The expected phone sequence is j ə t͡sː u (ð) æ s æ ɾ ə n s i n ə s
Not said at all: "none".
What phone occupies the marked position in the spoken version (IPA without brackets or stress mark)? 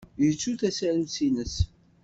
θ